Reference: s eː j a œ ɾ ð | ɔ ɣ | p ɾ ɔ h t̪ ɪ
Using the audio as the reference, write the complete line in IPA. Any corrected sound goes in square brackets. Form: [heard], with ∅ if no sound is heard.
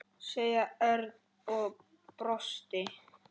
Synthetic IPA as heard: s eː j a œ ɾ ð | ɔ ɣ | p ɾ ɔ [s] t̪ ɪ